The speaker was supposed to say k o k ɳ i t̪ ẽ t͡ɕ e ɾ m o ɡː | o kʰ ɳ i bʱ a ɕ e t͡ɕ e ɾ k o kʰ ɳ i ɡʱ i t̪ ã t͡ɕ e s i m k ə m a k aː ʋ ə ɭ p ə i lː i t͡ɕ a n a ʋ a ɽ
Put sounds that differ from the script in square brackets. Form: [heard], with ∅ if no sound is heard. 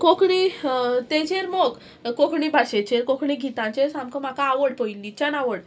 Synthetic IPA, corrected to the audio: k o k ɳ i t̪ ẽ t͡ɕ e ɾ m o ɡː | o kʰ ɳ i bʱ a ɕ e t͡ɕ e ɾ k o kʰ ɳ i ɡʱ i t̪ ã t͡ɕ e s [a] m k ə m a k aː ʋ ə [ɽ] p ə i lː i t͡ɕ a n a ʋ [ə] ɽ